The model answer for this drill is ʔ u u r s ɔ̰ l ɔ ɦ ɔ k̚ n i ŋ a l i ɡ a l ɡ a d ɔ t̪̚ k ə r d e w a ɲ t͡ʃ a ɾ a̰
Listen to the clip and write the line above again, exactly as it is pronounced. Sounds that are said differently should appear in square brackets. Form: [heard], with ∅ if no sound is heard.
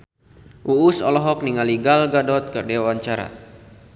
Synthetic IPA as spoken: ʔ u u [∅] s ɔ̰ l ɔ ɦ ɔ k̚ n i ŋ a l i ɡ a l ɡ a d ɔ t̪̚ k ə r d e w a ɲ t͡ʃ a ɾ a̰

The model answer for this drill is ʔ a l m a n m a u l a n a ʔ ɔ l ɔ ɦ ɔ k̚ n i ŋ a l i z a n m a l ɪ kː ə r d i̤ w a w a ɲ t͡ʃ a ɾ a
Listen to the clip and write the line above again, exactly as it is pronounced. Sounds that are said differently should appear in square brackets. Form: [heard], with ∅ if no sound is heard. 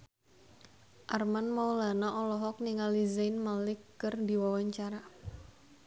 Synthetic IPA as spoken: ʔ a [r] m a n m a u l a n a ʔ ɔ l ɔ ɦ ɔ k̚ n i ŋ a l i z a n m a l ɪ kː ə r d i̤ w a w a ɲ t͡ʃ a ɾ a

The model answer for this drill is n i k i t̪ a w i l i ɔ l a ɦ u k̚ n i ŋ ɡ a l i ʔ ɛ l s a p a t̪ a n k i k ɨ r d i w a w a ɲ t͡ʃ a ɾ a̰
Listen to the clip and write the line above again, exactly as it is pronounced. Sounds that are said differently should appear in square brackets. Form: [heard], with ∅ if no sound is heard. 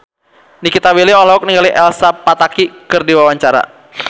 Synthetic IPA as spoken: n i k i t̪ a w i l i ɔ l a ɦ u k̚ n i ŋ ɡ a l i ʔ ɛ l s a p a t̪ a [∅] k i k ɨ r d i w a w a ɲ t͡ʃ a ɾ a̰

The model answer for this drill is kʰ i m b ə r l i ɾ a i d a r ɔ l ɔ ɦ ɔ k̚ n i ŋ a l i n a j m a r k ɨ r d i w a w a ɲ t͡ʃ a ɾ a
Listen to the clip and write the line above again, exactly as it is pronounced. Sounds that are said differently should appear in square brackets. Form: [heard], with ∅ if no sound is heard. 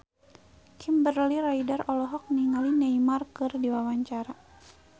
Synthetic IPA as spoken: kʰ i m b ə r l i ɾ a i d a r ɔ l ɔ ɦ ɔ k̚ n i ŋ a l i n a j m a r k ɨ r d i w a w a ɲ t͡ʃ a ɾ a

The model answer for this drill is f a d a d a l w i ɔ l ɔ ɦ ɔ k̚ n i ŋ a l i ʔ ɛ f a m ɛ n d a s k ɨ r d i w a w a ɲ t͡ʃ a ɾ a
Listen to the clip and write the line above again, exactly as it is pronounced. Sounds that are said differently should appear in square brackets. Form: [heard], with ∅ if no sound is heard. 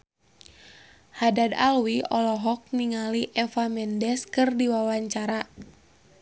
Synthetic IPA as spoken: [h] a d a d a l w i ɔ l ɔ ɦ ɔ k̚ n i ŋ a l i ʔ ɛ f a m ɛ n d [ɛ] s k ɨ r d i w a w a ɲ t͡ʃ a ɾ a

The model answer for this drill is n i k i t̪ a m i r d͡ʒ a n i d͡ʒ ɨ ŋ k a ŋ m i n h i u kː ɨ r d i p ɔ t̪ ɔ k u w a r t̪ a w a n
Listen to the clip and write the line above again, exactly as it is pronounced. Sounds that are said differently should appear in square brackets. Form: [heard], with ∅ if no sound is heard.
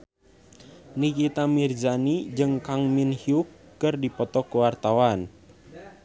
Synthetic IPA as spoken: n i k i t̪ a m i r d͡ʒ a n i d͡ʒ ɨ ŋ k a ŋ m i n h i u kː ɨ r d i p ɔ t̪ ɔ k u w a r t̪ a w a n

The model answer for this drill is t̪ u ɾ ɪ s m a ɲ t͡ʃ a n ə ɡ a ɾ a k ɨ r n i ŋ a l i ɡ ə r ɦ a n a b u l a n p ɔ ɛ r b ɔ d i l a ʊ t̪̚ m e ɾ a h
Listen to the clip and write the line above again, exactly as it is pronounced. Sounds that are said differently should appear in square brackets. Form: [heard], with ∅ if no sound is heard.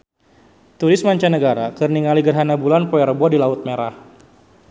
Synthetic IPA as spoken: t̪ u ɾ ɪ s m a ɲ t͡ʃ a n ə ɡ a ɾ a k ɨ r n i ŋ a l i ɡ ə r ɦ a n a b u l a n p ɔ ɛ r b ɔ d i l a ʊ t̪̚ m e ɾ a h

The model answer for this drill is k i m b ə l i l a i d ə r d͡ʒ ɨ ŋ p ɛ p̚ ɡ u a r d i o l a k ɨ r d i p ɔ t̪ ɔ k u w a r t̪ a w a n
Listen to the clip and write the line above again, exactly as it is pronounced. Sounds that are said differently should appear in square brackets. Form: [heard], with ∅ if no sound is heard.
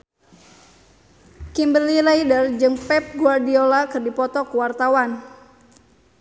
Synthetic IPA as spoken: k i m b ə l i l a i d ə r d͡ʒ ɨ ŋ p ɛ p̚ ɡ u a r d i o l a k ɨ r d i p ɔ t̪ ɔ k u w a r t̪ a w a n

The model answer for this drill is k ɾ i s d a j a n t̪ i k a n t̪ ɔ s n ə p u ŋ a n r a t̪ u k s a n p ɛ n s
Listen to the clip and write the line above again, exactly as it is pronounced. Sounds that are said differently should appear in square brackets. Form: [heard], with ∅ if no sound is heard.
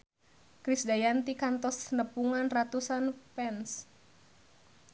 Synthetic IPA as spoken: k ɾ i s d a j a n t̪ i k a n t̪ ɔ s n ə p u ŋ a n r a t̪ u [∅] s a n p ɛ n s

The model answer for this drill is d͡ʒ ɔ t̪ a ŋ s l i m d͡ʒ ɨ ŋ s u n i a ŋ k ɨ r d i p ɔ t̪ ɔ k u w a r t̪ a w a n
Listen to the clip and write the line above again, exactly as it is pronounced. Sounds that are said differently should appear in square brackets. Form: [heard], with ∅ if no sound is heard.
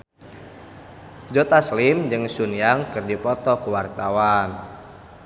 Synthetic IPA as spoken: d͡ʒ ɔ t̪ a [∅] s l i m d͡ʒ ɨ ŋ s u n [j] a ŋ k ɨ r d i p ɔ t̪ ɔ k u w a r t̪ a w a n

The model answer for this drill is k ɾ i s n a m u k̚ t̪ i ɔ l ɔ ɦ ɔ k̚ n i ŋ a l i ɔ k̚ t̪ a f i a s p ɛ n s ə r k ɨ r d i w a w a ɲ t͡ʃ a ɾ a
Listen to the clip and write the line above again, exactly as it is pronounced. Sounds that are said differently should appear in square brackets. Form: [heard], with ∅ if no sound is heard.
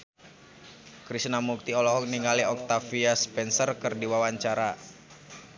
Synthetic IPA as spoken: k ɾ i s n a m u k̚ t̪ i ɔ l ɔ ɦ ɔ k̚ n i ŋ a l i ɔ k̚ t̪ a f i a s p ɛ n s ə r k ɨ r d i w a w a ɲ t͡ʃ a ɾ a

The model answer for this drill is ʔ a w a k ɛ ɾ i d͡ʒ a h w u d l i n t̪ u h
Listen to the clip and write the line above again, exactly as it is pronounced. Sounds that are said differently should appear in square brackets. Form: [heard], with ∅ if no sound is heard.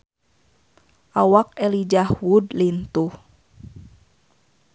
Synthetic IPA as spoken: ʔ a w a k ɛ [l] i d͡ʒ a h w u d l i n t̪ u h

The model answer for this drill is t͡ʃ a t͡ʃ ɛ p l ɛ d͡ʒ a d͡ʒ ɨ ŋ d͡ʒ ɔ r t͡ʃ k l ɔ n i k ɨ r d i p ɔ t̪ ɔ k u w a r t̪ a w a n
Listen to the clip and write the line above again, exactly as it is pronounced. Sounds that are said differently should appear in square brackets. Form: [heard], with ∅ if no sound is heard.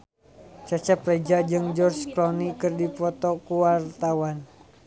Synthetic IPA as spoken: t͡ʃ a t͡ʃ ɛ p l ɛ d͡ʒ a d͡ʒ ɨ ŋ d͡ʒ ɔ r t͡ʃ k l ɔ n i k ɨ r d i p ɔ t̪ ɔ k u w a r t̪ a w a n

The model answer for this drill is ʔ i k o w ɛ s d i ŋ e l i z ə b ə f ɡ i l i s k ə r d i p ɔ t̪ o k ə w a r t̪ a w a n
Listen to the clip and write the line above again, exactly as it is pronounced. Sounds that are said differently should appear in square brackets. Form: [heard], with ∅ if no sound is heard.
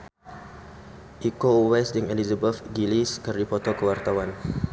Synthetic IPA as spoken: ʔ i k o w ɛ s d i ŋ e l i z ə b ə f ɡ i l i s k ə r d i p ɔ t̪ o k ə w a r t̪ a w a n

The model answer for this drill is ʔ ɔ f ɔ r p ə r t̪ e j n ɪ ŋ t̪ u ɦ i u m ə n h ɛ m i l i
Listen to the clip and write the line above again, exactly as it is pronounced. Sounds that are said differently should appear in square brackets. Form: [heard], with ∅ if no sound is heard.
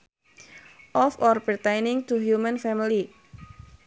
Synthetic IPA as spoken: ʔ ɔ f ɔ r p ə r t̪ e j n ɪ ŋ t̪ u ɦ [j] u m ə n [f] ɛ m i l i

